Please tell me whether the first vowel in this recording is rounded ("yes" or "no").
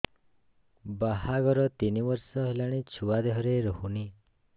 no